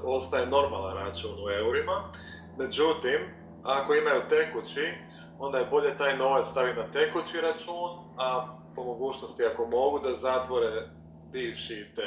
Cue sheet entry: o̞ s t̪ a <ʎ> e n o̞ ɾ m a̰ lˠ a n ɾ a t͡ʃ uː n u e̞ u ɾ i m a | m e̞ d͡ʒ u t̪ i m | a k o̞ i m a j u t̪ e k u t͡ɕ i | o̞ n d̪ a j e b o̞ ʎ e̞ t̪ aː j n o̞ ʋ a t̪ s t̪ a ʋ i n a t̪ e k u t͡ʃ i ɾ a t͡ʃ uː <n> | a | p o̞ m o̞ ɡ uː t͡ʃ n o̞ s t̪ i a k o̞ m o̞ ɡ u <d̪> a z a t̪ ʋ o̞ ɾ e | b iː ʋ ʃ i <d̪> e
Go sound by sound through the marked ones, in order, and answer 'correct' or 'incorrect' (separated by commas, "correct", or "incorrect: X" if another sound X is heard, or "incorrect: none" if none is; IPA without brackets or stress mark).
incorrect: j, correct, correct, incorrect: t̪